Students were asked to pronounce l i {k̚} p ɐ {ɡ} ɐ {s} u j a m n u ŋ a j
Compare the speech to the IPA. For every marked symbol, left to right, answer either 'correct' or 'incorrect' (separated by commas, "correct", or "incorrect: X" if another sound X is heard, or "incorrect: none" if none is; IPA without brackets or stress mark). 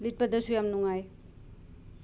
incorrect: t̚, incorrect: d, correct